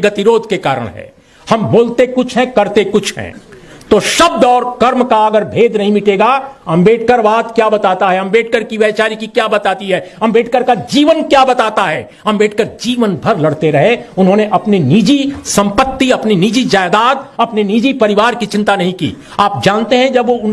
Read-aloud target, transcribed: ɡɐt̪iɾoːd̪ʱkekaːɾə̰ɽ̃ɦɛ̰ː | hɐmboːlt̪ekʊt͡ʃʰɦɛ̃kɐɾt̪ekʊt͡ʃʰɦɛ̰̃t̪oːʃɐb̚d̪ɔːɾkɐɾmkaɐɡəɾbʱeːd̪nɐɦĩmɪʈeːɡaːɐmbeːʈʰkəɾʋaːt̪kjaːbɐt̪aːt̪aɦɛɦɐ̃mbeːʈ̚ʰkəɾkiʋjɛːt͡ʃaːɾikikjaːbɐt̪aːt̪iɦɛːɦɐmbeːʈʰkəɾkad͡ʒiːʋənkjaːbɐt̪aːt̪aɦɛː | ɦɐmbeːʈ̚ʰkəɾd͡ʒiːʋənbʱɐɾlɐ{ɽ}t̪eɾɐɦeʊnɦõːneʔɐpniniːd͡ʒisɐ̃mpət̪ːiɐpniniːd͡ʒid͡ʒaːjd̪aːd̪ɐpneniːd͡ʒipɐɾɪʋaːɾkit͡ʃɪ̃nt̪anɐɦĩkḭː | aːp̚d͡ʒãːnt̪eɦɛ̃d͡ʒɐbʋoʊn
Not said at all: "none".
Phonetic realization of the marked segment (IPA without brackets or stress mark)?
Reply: ɽ